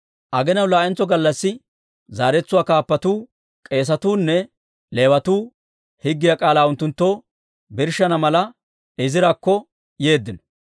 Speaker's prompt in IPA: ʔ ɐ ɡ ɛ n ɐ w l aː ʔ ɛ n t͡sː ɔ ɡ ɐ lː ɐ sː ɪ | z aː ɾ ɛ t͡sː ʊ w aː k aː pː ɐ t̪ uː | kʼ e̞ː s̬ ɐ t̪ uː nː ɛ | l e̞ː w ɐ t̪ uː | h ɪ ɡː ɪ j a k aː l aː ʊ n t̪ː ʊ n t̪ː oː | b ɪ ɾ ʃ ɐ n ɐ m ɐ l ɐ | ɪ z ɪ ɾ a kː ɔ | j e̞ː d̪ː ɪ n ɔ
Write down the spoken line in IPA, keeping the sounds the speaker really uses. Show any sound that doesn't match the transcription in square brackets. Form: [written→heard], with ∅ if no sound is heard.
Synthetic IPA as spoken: ʔ ɐ ɡ ɛ n ɐ w l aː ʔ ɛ n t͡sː ɔ ɡ ɐ lː ɐ sː ɪ | z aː ɾ ɛ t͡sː ʊ w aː k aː pː ɐ t̪ uː | kʼ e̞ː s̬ ɐ t̪ uː nː ɛ | l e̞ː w ɐ t̪ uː | h ɪ ɡː ɪ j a [k→kʼ] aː l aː ʊ n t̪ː ʊ n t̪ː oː | b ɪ ɾ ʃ ɐ n ɐ m ɐ l ɐ | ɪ z ɪ ɾ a kː ɔ | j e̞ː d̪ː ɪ n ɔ